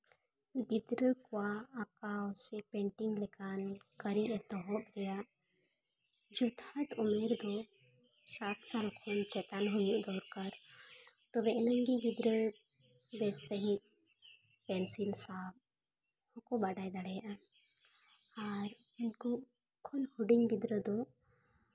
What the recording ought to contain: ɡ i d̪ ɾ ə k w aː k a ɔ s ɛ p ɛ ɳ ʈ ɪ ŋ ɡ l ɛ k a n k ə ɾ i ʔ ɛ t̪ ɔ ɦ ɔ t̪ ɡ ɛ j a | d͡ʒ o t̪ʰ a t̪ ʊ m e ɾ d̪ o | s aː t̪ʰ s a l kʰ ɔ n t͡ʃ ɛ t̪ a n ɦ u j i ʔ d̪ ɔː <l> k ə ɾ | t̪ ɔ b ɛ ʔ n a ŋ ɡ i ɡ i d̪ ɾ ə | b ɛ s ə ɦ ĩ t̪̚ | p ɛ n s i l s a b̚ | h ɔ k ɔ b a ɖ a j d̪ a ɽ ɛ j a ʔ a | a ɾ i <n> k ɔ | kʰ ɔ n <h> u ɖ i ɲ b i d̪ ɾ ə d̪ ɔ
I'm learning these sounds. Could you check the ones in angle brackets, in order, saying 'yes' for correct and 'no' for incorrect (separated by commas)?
no, yes, yes